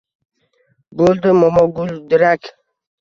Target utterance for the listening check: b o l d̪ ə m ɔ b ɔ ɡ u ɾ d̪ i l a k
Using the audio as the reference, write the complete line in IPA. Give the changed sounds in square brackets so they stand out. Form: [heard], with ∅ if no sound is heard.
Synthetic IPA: b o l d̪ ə m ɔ [m] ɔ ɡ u [l] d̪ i [ɾ] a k